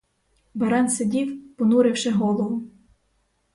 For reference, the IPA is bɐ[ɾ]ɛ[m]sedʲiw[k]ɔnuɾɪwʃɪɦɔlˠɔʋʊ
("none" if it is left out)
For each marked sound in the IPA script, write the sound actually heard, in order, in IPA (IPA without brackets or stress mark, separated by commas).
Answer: ɾ, n, p